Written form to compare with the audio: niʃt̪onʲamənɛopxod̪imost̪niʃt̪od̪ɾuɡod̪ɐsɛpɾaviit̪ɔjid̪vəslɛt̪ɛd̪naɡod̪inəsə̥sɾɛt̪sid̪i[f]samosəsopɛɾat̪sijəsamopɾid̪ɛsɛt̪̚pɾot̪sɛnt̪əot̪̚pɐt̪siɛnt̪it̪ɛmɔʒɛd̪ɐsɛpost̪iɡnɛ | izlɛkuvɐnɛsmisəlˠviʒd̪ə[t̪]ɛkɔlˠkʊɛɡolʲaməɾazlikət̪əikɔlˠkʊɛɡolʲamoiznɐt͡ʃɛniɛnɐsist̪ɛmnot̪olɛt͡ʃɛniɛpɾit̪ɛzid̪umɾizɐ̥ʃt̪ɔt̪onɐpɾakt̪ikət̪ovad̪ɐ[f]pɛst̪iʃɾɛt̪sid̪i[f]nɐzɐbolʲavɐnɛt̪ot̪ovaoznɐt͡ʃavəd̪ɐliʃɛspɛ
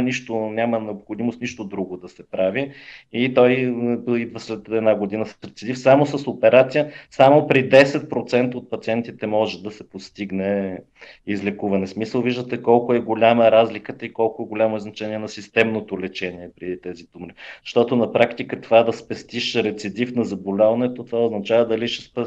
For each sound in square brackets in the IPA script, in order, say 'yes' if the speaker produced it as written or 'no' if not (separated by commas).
yes, yes, no, yes